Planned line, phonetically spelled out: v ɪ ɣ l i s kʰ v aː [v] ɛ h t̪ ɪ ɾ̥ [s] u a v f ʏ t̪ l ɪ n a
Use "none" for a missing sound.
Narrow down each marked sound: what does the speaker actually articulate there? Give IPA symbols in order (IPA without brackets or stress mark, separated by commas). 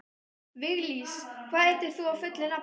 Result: ð, θ